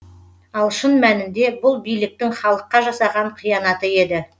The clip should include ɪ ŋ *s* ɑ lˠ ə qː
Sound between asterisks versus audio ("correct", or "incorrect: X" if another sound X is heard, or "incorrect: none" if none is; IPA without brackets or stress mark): incorrect: χ